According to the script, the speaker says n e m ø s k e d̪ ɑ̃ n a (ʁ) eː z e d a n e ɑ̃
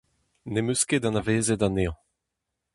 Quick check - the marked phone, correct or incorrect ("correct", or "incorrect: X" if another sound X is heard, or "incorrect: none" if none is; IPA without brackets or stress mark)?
incorrect: v